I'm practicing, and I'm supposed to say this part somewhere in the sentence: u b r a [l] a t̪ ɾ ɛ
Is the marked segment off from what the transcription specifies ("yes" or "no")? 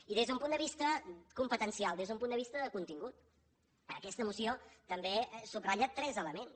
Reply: yes